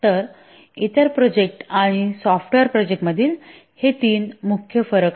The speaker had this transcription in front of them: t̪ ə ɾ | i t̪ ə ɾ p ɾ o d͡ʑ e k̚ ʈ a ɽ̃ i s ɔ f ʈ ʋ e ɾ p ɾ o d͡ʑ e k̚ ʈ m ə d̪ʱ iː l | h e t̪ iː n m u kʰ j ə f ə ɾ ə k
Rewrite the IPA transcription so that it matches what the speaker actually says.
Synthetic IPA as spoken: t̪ ə ɾ | i t̪ ə ɾ p ɾ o d͡ʑ e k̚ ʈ a ɽ̃ i s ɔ f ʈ ʋ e ɾ p ɾ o d͡ʑ e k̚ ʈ m ə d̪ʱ iː l | h e t̪ iː n m u kʰ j ə f ə ɾ ə k